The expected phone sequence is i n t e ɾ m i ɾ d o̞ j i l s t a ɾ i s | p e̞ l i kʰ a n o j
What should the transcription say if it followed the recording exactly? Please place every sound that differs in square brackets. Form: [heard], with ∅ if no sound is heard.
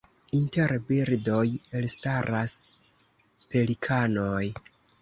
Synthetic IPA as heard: i n t e ɾ [b] i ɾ d o̞ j [e] l s t a ɾ [a] s | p e̞ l i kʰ a n o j